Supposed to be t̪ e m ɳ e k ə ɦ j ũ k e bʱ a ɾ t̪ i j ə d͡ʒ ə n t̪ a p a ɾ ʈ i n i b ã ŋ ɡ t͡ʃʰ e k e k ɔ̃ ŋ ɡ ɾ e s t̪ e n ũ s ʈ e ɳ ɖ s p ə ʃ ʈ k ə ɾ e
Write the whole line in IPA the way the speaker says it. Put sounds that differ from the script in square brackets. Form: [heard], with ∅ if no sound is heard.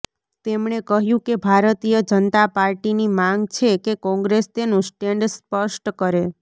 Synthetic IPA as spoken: t̪ e m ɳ e k ə ɦ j ũ k e bʱ a ɾ t̪ i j ə d͡ʒ ə n t̪ a p a ɾ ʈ i n i [m] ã ŋ ɡ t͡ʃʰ e k e k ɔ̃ ŋ ɡ ɾ e s t̪ e n ũ s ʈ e ɳ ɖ s p ə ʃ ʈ k ə ɾ e